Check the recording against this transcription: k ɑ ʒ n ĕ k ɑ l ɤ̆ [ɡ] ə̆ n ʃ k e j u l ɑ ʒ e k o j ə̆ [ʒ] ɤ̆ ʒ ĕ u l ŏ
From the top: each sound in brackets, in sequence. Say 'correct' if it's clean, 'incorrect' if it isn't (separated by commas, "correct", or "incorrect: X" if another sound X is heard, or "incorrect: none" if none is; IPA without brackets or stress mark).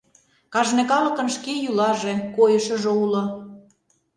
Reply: incorrect: k, incorrect: ʃ